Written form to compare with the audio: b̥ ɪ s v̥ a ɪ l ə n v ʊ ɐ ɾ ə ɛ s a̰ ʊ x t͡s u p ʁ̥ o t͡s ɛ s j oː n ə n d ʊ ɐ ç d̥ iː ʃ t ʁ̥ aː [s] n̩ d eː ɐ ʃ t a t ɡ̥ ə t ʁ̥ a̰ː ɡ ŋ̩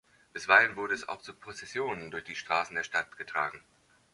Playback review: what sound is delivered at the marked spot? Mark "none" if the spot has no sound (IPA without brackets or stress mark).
s